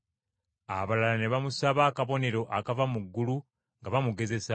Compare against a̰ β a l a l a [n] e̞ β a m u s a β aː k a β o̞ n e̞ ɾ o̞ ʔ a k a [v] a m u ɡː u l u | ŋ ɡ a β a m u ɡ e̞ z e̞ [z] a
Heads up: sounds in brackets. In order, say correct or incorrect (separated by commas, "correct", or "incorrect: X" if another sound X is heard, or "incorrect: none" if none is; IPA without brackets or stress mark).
correct, correct, incorrect: s